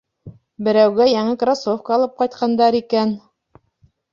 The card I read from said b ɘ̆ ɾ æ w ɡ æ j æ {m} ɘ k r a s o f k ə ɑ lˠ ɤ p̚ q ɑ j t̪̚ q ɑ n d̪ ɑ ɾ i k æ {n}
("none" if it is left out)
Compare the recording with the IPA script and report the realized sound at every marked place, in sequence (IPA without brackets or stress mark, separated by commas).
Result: ŋ, n